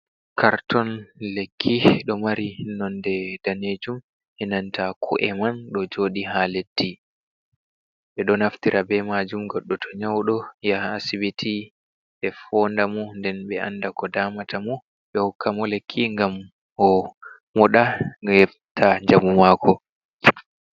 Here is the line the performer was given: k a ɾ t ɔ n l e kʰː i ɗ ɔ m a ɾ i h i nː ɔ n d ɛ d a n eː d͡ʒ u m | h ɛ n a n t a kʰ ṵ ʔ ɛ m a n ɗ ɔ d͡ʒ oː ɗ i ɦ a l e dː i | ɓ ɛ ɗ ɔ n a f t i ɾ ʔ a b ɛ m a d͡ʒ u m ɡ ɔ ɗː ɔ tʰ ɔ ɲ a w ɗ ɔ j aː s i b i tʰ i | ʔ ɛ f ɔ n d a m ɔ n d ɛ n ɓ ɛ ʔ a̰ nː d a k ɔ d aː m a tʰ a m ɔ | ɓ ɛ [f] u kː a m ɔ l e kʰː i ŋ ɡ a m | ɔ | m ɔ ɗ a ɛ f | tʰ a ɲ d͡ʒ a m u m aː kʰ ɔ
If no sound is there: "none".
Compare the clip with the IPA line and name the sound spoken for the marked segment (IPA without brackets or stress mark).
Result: h